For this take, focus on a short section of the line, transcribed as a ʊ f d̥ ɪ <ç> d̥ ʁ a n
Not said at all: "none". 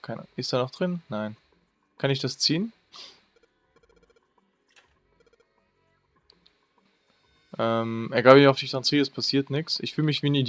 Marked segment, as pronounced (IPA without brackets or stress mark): ç